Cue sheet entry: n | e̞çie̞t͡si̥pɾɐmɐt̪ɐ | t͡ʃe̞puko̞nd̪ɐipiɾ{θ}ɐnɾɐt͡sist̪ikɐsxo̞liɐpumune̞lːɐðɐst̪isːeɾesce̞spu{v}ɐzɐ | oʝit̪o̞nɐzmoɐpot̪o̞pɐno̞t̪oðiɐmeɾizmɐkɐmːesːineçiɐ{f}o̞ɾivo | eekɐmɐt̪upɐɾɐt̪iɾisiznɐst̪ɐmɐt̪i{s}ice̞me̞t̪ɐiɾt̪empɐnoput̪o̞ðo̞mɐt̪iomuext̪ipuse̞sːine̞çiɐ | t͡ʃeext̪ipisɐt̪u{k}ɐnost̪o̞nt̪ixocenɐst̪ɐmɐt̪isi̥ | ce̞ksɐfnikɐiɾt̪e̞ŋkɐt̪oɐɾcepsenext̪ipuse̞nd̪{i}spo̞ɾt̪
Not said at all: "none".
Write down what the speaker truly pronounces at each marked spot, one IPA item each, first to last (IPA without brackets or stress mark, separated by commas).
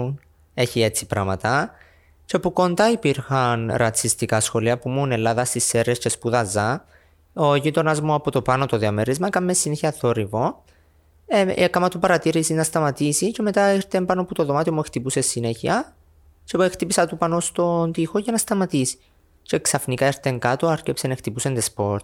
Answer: x, ð, θ, s, p, e